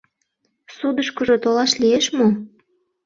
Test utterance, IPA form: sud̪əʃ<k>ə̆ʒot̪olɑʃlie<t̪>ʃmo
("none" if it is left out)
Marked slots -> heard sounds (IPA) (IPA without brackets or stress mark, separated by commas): k, none